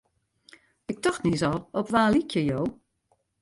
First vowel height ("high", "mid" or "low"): high